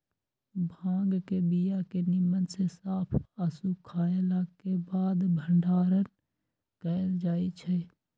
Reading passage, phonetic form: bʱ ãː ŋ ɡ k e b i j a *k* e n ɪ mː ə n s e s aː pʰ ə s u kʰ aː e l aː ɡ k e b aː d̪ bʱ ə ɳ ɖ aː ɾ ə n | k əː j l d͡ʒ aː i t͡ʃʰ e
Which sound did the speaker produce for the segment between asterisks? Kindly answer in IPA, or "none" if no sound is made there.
k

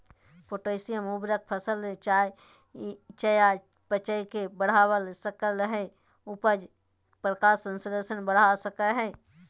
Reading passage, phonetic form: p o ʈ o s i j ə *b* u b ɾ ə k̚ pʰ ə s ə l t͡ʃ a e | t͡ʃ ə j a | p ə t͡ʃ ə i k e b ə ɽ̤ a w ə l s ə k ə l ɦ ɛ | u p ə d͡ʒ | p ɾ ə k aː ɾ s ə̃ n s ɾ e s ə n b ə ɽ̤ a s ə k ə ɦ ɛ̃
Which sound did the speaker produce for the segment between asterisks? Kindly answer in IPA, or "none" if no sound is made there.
m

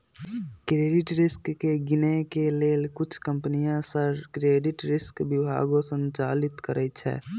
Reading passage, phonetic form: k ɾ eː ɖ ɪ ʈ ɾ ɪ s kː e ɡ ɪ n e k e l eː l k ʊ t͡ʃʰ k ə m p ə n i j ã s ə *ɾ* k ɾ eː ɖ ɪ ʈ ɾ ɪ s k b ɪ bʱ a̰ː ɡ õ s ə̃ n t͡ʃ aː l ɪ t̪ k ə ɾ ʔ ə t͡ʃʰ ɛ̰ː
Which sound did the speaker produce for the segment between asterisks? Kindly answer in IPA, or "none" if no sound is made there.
ɾ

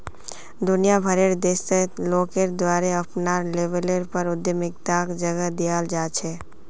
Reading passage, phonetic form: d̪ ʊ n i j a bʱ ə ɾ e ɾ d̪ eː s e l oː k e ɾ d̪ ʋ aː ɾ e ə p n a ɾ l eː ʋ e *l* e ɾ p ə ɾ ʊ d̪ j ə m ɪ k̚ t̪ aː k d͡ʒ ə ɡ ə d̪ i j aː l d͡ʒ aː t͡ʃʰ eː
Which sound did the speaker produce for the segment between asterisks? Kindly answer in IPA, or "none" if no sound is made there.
l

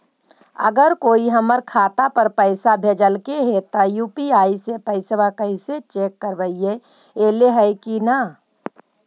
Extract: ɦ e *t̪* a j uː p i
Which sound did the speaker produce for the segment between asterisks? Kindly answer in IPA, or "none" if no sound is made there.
t̪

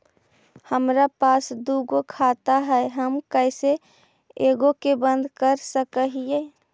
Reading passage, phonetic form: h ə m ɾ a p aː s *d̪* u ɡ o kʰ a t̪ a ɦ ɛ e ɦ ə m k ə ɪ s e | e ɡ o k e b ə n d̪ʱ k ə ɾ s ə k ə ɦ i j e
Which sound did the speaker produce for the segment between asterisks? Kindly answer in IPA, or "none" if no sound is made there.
d̪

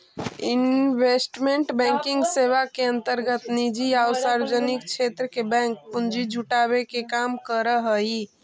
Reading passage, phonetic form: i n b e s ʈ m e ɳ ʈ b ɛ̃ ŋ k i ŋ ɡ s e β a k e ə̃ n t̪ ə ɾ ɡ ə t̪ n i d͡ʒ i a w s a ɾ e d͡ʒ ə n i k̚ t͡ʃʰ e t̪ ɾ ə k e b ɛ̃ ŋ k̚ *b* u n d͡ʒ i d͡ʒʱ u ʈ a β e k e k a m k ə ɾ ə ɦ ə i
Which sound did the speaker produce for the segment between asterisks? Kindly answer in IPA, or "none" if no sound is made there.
p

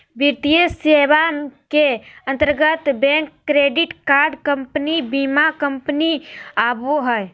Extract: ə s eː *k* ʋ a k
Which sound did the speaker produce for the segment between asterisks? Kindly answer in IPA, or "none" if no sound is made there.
none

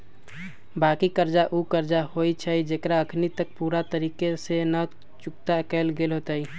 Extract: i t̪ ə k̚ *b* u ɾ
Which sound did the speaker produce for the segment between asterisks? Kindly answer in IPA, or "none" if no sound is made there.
p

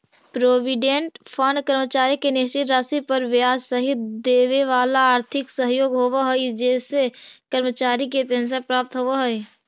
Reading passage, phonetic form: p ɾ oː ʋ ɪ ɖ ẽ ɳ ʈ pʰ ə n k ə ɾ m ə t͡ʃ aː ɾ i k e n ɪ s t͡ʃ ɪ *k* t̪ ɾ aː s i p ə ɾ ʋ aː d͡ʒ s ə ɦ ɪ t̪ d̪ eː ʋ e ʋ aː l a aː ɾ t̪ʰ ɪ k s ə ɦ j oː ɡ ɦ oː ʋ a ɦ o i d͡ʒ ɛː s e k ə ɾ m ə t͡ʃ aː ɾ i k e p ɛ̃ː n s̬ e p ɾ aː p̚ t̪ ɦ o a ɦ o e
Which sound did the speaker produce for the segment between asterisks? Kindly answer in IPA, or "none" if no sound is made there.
none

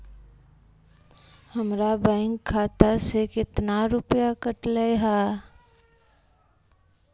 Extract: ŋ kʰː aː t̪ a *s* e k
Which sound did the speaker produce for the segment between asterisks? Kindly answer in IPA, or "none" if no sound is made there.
s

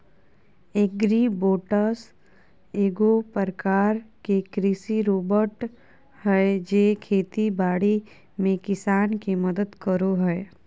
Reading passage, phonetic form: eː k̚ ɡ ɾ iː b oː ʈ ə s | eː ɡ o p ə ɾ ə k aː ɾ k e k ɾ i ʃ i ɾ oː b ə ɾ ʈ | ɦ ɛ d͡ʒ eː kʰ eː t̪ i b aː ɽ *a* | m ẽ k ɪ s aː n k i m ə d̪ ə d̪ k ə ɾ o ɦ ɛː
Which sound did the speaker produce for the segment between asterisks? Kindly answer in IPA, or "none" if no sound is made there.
i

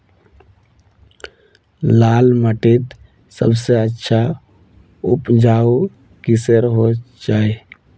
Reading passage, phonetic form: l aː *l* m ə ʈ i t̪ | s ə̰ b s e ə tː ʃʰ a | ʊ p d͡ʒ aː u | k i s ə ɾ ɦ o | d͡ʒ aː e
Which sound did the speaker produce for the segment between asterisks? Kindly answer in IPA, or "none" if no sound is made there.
l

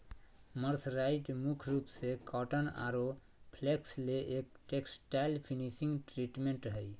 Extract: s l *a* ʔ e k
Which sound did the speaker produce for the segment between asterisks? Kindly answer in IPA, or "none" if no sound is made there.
e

